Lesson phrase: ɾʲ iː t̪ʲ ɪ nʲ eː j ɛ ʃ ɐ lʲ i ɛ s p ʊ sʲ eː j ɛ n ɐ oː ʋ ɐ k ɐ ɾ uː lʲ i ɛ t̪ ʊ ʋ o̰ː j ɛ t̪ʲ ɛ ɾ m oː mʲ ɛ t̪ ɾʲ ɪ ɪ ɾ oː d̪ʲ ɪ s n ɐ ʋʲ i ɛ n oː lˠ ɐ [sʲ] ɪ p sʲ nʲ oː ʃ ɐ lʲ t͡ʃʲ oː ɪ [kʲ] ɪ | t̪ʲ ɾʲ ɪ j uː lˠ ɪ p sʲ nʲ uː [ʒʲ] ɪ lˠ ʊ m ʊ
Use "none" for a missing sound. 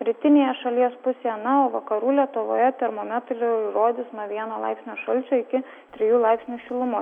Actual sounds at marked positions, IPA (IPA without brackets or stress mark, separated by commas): none, kʲ, ʃʲ